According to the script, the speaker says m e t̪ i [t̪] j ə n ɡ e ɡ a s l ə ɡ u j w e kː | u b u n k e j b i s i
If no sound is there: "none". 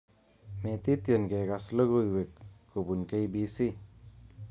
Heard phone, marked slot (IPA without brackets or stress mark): t̪